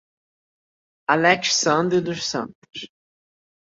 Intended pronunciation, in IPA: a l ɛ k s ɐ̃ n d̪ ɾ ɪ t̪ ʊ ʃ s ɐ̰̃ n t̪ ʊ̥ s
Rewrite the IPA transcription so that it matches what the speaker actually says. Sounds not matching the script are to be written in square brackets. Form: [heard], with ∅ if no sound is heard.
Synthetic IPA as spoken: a l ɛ k s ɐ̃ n d̪ ɾ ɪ [d̪] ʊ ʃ s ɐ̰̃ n t̪ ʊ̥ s